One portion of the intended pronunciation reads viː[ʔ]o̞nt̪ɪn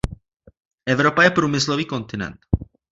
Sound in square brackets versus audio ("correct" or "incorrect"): incorrect